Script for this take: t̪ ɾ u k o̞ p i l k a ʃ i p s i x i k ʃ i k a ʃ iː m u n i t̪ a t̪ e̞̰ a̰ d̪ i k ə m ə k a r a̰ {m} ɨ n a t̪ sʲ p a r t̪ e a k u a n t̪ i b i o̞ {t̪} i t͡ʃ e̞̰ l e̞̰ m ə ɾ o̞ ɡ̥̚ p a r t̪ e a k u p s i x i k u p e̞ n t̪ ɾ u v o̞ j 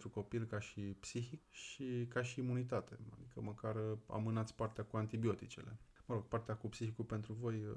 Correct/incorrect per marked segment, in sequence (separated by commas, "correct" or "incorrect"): correct, correct